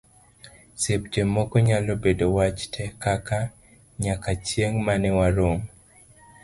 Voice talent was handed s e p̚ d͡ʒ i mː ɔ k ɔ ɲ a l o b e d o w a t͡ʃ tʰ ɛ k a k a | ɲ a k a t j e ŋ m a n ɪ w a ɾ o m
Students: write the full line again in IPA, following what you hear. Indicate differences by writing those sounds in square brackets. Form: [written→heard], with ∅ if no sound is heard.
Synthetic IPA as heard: s e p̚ d͡ʒ [i→e] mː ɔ k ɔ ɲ a l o b e d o w a t͡ʃ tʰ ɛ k a k a | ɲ a k a [t→t͡ʃ] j e ŋ m a n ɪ w a ɾ o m